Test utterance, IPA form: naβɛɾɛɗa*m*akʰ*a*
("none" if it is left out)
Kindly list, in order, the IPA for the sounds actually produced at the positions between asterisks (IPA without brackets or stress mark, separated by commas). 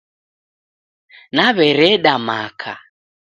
m, a